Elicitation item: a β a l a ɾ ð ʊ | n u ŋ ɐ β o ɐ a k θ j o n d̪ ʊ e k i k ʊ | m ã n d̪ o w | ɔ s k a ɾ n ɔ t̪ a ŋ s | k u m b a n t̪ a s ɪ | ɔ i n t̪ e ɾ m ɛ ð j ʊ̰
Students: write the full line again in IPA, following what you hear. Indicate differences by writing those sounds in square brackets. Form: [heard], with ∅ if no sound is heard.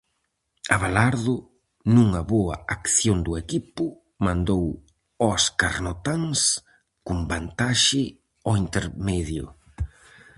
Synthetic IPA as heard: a β a l a ɾ ð ʊ | n u ŋ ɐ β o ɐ a k θ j o n d̪ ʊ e k i [p] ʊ | m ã n d̪ o w | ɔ s k a ɾ n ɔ t̪ a ŋ s | k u m b a n t̪ a [ʃ] ɪ | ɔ i n t̪ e ɾ m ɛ ð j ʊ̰